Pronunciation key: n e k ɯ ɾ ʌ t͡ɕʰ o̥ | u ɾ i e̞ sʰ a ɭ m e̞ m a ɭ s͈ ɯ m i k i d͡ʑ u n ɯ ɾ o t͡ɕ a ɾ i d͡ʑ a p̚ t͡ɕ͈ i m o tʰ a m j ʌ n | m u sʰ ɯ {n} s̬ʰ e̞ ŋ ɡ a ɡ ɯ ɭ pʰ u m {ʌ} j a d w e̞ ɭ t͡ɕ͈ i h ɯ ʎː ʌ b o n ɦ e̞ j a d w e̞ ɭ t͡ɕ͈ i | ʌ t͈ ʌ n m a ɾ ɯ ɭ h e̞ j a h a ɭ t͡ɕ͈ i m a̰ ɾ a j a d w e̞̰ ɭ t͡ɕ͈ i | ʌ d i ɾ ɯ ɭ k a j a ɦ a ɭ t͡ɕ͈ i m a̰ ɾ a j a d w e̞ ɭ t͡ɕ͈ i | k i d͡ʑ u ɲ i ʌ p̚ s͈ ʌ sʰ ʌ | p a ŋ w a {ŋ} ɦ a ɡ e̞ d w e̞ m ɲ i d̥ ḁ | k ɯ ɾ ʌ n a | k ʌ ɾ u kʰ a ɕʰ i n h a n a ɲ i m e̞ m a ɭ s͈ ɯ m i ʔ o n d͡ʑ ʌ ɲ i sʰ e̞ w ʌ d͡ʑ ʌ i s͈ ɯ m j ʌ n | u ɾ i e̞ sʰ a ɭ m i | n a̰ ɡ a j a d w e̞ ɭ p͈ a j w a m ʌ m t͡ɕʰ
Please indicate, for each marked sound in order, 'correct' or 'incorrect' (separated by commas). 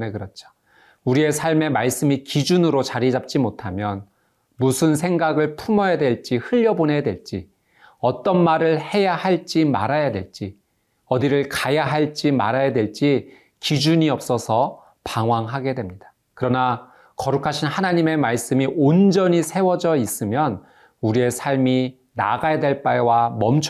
correct, correct, correct